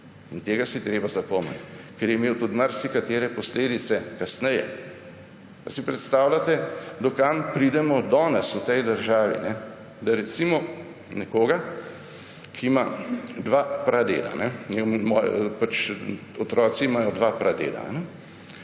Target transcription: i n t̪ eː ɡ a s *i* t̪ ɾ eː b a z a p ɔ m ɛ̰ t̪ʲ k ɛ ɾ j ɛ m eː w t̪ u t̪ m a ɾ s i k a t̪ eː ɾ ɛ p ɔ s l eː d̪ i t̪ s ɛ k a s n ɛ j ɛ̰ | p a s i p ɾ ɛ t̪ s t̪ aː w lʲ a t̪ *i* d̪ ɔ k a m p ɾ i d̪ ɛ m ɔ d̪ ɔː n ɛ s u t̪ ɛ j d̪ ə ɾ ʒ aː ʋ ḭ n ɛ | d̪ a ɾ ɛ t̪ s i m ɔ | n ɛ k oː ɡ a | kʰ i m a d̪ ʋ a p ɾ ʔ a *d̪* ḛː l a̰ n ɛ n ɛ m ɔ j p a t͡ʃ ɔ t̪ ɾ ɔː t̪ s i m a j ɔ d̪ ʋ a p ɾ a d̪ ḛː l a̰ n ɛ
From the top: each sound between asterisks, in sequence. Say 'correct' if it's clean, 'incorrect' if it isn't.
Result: correct, incorrect: ɛ, correct

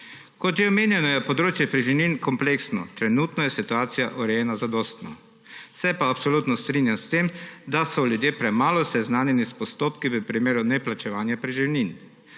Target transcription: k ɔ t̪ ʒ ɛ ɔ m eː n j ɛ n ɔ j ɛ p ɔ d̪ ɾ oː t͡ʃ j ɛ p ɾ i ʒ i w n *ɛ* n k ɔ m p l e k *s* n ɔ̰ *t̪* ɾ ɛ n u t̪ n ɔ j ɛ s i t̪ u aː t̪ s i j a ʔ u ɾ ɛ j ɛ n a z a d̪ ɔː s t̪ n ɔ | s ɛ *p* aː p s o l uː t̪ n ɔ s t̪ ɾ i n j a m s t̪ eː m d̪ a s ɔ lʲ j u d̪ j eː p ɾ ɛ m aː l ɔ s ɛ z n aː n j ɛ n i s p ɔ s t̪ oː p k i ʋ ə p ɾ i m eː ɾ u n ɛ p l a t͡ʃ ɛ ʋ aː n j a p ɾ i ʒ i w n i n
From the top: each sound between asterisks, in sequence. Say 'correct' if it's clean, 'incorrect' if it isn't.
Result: incorrect: i, correct, correct, correct

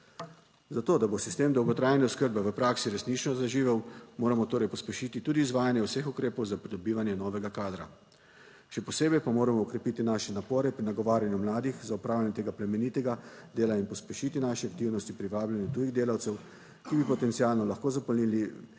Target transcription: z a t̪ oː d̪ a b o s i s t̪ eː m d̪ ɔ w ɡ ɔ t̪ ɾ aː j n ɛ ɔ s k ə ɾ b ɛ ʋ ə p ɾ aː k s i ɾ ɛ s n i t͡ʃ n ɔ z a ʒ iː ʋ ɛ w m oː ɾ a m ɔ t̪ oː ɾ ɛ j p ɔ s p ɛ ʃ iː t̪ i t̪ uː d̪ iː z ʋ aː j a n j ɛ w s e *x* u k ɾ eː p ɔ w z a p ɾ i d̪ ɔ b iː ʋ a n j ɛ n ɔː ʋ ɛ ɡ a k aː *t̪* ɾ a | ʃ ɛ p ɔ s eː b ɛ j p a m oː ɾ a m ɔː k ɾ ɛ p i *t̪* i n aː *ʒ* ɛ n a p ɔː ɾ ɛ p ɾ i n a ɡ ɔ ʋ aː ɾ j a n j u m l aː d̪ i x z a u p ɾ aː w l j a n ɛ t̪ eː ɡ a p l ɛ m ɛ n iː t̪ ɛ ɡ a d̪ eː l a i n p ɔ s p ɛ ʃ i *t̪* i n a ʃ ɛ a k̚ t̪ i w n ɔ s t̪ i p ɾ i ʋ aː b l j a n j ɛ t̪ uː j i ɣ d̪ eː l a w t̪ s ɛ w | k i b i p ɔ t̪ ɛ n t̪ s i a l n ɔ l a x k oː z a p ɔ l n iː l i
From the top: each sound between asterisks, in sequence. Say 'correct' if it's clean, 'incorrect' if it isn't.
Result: correct, incorrect: d̪, correct, incorrect: ʃ, correct

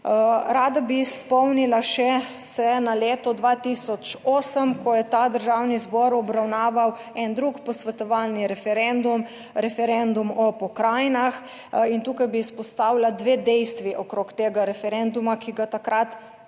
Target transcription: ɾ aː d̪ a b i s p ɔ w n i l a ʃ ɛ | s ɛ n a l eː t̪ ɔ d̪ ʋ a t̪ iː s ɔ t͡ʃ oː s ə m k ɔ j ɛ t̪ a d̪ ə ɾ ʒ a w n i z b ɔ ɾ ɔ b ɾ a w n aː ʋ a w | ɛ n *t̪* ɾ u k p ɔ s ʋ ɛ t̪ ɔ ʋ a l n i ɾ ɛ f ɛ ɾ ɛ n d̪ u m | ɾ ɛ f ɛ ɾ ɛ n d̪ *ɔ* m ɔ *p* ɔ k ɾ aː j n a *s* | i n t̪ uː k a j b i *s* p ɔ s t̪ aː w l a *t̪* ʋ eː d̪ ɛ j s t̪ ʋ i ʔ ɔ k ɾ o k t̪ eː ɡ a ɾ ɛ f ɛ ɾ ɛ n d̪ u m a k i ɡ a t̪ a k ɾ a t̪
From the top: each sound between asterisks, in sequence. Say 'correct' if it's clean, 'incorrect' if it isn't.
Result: incorrect: d̪, incorrect: u, correct, incorrect: x, correct, incorrect: d̪

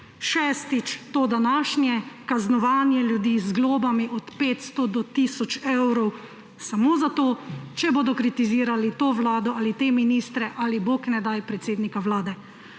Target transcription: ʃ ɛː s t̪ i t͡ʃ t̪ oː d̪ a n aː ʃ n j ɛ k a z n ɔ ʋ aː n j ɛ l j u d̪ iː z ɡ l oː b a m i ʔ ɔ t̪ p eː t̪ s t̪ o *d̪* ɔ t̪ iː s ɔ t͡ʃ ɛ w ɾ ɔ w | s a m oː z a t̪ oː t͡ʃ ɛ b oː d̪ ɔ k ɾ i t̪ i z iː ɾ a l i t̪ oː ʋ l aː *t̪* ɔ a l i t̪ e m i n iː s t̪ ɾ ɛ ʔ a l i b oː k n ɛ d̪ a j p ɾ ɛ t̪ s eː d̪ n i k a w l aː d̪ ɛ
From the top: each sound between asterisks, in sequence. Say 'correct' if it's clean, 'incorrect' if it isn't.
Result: correct, incorrect: d̪

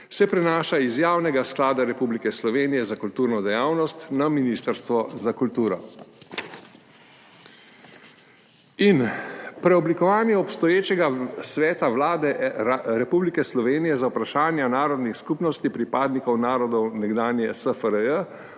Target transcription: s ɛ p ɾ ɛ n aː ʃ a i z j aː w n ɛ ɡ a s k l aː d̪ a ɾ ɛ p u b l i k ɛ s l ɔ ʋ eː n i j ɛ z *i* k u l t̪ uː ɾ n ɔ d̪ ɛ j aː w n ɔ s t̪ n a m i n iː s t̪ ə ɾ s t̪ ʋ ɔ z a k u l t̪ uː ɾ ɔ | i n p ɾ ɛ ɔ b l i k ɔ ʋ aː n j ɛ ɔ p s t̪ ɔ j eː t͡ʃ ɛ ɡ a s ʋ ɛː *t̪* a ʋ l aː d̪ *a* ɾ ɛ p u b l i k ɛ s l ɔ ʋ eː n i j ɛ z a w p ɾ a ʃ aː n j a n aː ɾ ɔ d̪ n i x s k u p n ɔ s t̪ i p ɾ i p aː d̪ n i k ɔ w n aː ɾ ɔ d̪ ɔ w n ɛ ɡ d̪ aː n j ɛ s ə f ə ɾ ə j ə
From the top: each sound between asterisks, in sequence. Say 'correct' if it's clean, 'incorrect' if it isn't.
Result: incorrect: a, correct, incorrect: ɛ

